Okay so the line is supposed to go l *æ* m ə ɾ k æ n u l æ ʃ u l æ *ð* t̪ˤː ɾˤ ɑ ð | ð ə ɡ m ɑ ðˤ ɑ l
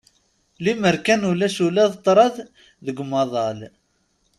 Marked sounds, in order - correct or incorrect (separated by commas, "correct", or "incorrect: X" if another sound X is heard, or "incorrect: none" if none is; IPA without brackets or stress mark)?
incorrect: i, correct